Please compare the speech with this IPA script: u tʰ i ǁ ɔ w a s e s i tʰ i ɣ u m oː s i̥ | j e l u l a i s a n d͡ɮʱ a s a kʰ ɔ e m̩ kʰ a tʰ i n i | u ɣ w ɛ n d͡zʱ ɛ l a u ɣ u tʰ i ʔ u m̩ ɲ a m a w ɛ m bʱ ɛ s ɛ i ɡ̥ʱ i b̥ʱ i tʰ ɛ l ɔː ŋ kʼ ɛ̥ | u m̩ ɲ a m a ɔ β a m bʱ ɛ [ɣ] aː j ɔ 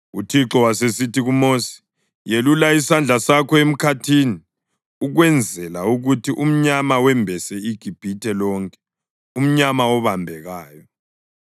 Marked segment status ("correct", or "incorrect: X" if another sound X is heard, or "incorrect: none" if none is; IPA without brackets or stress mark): correct